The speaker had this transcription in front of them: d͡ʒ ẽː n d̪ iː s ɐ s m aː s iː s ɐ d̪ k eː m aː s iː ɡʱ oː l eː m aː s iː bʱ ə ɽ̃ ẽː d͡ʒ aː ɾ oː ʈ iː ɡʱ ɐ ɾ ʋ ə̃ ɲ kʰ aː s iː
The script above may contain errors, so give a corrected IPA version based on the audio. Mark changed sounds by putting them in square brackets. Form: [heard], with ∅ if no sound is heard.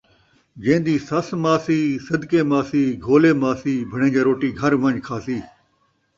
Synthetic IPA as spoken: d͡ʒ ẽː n d̪ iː s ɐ s m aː s iː s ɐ d̪ k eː m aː s iː ɡʱ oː l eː m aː s iː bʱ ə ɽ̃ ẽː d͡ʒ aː ɾ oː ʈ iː ɡʱ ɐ ɾ ʋ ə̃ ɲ kʰ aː s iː